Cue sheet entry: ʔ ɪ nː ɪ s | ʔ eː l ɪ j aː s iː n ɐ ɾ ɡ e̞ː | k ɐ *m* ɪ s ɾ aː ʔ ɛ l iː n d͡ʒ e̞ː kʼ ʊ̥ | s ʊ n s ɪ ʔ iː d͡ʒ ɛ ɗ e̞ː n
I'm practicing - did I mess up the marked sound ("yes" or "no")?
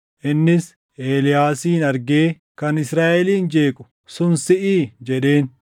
yes